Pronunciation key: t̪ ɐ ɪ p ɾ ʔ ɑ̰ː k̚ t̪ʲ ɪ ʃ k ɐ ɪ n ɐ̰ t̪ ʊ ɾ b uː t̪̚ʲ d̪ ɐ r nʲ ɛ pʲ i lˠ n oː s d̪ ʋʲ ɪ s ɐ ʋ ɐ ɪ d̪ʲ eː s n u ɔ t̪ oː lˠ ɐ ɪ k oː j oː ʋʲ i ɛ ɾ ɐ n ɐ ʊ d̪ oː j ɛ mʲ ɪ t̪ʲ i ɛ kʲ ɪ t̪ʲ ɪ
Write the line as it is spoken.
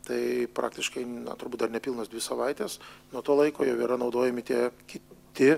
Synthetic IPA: t̪ ɐ ɪ p ɾ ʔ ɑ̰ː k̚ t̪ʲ ɪ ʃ k ɐ ɪ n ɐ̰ t̪ ʊ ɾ b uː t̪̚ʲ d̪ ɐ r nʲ ɛ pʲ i lˠ n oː s d̪ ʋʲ ɪ s ɐ ʋ ɐ ɪ t̪ʲ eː s n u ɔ t̪ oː lˠ ɐ ɪ k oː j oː ʋʲ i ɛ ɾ ɐ n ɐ ʊ d̪ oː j ɛ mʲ ɪ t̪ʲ i ɛ kʲ ɪ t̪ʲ ɪ